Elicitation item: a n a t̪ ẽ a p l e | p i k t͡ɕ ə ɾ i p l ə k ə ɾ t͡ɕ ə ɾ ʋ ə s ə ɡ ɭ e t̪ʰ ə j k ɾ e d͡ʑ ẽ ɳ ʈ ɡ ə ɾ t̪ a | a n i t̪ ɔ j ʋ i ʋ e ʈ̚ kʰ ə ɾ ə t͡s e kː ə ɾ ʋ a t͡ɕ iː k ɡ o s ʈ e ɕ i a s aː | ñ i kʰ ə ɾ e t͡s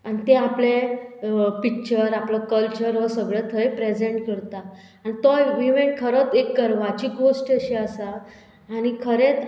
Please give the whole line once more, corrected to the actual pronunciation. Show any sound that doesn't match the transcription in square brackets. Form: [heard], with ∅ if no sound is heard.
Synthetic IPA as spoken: a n [i] t̪ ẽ a p l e | p i k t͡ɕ ə ɾ [a] p l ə k ə [l] t͡ɕ ə ɾ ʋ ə s ə ɡ ɭ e t̪ʰ ə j [p] ɾ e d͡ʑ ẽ ɳ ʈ [k] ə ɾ t̪ a | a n i t̪ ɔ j ʋ i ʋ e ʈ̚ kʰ ə ɾ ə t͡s e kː ə ɾ ʋ a t͡ɕ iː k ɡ o s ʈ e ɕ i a s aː | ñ i kʰ ə ɾ e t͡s